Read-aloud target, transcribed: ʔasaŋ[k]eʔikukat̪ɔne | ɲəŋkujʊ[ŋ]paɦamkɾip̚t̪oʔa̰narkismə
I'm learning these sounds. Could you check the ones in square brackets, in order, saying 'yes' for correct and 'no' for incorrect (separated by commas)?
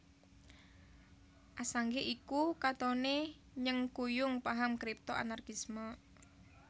no, yes